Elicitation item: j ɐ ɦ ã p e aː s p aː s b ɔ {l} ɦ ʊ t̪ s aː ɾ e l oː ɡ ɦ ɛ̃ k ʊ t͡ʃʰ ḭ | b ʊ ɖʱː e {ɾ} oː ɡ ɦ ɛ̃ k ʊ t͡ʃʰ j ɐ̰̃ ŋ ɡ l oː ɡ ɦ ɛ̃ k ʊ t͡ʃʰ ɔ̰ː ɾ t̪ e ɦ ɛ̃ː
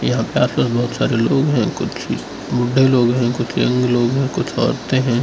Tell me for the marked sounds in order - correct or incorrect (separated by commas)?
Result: incorrect, incorrect